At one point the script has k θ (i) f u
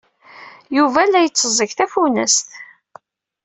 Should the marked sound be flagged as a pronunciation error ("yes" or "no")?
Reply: yes